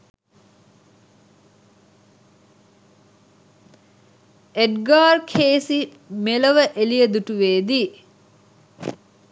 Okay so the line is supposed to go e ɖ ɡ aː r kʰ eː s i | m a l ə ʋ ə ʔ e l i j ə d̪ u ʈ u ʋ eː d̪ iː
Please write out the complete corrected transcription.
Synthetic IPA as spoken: e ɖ ɡ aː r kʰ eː s i | m e l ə ʋ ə ʔ e l i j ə d̪ u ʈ u ʋ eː d̪ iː